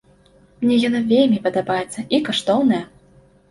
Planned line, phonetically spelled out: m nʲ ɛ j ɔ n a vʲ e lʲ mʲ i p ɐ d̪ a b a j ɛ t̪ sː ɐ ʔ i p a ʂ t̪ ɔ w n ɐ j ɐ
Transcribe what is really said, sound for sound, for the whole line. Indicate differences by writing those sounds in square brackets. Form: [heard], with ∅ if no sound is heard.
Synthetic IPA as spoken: m nʲ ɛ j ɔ n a vʲ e lʲ mʲ i p ɐ d̪ a b a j ɛ t̪ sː ɐ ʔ i [k] a ʂ t̪ ɔ w n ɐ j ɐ